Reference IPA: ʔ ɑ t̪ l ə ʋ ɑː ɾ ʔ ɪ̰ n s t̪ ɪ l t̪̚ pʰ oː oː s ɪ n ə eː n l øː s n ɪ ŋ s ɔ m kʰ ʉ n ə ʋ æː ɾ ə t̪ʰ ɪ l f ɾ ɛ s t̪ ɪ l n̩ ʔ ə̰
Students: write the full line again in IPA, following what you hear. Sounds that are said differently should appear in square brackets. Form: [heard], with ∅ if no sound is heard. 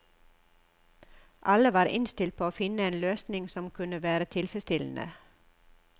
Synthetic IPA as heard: ʔ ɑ [∅] l ə ʋ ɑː ɾ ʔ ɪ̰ n s t̪ ɪ l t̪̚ pʰ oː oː [f] ɪ n ə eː n l øː s n ɪ ŋ s ɔ m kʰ ʉ n ə ʋ æː ɾ ə t̪ʰ ɪ l f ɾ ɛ s t̪ ɪ l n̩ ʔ ə̰